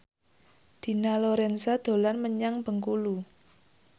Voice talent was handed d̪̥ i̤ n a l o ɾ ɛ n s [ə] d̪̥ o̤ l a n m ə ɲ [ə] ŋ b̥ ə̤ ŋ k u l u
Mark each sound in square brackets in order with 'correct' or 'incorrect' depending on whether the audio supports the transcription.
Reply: incorrect: a, incorrect: a

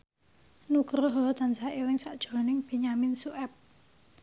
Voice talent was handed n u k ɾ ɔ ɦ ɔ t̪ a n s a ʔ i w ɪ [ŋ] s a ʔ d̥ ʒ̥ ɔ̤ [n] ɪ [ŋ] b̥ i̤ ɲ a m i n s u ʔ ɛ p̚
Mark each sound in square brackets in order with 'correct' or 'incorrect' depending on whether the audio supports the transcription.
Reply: correct, correct, correct

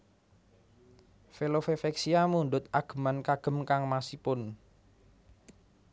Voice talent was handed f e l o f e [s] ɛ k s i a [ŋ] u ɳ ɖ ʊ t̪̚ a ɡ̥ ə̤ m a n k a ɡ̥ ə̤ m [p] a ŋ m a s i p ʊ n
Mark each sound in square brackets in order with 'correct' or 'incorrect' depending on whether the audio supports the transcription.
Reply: incorrect: f, incorrect: m, incorrect: k

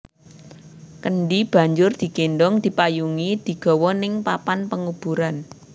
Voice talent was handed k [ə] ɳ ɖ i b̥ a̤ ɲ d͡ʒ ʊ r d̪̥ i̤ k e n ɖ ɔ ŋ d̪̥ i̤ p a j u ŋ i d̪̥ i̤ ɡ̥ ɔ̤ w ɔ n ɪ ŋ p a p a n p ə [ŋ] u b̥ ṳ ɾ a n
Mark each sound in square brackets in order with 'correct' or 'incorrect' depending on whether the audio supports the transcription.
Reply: correct, correct

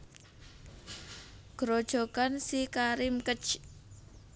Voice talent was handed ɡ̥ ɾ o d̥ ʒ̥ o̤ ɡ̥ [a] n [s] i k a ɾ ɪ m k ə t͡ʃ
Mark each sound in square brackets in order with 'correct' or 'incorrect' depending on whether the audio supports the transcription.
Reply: correct, correct

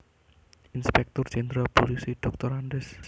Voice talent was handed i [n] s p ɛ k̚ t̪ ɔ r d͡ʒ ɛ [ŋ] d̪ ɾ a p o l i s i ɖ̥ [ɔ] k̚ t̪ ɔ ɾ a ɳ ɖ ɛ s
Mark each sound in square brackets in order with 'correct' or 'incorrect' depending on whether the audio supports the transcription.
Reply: correct, incorrect: n, correct

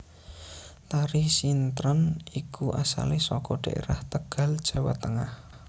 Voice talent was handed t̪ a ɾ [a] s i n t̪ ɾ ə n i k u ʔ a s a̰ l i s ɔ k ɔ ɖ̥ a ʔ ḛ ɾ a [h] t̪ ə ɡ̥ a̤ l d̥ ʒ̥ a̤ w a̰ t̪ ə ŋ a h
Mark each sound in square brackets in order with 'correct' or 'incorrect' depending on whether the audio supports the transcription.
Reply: incorrect: i, correct

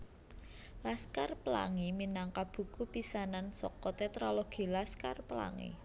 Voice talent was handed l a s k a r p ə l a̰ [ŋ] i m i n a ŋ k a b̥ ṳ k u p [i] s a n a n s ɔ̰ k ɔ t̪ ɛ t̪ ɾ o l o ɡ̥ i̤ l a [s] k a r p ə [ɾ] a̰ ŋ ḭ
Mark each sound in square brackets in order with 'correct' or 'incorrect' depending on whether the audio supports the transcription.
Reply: correct, correct, correct, incorrect: l

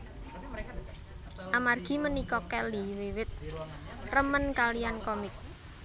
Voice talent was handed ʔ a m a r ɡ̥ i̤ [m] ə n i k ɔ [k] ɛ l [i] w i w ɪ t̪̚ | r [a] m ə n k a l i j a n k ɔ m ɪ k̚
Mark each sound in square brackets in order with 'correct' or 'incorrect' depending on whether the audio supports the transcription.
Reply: correct, correct, correct, incorrect: ə

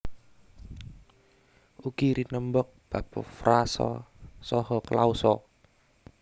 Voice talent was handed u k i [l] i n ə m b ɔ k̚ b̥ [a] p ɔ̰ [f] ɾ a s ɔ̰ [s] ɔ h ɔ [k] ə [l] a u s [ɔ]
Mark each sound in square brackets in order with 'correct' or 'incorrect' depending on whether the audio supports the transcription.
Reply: incorrect: ɾ, correct, correct, correct, correct, correct, correct

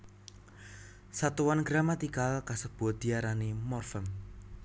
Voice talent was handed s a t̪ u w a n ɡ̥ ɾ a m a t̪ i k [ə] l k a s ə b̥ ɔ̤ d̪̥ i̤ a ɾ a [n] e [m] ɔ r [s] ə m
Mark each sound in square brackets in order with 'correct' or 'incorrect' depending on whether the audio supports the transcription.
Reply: incorrect: a, correct, correct, incorrect: f

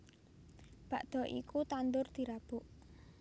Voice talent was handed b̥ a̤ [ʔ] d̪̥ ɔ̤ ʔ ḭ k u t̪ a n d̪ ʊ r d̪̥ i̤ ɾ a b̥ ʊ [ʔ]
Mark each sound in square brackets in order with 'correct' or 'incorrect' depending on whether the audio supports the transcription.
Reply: correct, correct

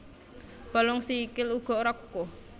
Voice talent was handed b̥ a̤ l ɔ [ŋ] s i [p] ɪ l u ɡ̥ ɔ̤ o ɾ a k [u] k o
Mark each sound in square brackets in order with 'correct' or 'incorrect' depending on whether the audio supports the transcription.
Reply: correct, incorrect: k, correct

